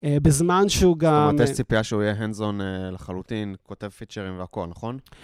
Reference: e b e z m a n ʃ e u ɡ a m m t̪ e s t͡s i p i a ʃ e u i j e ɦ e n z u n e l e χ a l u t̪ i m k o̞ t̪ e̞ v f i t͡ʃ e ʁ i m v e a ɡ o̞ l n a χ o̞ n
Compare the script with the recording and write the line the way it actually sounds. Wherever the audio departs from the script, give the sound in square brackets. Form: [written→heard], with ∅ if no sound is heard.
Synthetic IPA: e b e z m a n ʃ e u ɡ a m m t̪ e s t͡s i p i a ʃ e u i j e ɦ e n z [u→o] n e l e χ a l u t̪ i [m→n] k o̞ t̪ e̞ v f i t͡ʃ e ʁ i m v e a [ɡ→k] o̞ l n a χ o̞ n